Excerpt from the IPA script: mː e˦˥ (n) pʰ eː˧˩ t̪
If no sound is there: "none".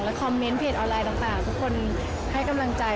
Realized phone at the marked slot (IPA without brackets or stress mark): n